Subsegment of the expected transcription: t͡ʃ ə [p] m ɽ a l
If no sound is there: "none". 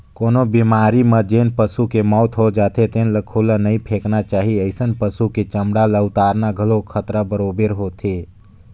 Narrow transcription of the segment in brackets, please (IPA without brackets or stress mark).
none